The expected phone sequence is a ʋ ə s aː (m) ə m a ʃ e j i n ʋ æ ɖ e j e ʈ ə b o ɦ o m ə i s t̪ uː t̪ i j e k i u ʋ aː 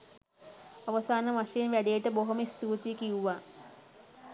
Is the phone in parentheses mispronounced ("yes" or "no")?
yes